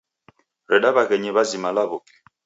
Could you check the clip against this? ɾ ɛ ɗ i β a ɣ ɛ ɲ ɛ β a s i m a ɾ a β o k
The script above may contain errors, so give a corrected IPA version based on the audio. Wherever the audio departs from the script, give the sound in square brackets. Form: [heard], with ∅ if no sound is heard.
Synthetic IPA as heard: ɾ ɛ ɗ [a] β a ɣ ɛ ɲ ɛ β a [z] i m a [l] a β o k